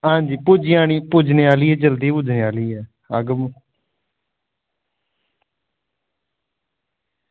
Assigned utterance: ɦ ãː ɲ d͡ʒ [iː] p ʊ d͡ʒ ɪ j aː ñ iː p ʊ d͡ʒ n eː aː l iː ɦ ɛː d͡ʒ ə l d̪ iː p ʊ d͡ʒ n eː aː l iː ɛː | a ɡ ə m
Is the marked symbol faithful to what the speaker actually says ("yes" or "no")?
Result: yes